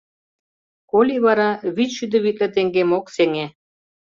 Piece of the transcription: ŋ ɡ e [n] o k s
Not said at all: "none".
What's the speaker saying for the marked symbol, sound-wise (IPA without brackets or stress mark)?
m